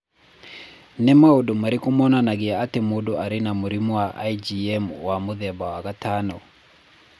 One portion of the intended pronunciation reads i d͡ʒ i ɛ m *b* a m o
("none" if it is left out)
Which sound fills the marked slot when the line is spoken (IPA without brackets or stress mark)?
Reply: w